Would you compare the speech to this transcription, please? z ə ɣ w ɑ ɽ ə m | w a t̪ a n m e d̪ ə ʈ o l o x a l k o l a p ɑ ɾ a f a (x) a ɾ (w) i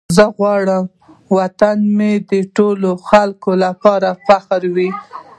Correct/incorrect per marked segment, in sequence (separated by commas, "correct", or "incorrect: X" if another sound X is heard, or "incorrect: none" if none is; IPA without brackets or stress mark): correct, correct